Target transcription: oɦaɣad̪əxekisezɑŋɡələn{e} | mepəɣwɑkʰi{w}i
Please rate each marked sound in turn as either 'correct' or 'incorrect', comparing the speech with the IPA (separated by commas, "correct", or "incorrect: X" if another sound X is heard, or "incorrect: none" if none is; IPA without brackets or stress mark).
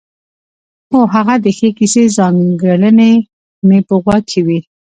correct, correct